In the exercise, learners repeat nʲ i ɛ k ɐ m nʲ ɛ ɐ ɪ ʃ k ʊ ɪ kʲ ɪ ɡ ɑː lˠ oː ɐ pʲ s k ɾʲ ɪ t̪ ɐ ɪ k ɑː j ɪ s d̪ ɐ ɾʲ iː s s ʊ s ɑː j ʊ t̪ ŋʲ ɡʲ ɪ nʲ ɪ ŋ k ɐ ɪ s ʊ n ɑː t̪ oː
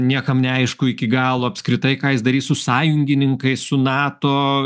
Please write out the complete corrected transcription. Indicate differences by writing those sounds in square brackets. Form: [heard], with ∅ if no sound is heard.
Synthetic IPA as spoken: nʲ i ɛ k ɐ m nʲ ɛ ɐ ɪ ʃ k ʊ ɪ kʲ ɪ ɡ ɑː lˠ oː ɐ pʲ s k ɾʲ ɪ t̪ ɐ ɪ k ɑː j ɪ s d̪ ɐ ɾʲ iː s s ʊ s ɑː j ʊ [∅] ŋʲ ɡʲ ɪ nʲ ɪ ŋ k ɐ ɪ s ʊ n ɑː t̪ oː